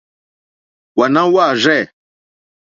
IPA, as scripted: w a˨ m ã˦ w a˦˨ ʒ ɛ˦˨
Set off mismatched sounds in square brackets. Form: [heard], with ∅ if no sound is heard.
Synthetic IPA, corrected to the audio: w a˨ [n] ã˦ w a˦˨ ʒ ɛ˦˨